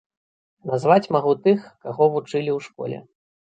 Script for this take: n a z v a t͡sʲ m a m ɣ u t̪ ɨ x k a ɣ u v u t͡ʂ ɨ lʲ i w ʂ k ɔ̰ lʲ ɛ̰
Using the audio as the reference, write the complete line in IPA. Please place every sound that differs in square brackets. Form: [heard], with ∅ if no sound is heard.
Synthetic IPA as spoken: n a z v a t͡sʲ m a [∅] ɣ u t̪ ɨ x k a ɣ [ɔ] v u t͡ʂ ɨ lʲ i w ʂ k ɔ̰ lʲ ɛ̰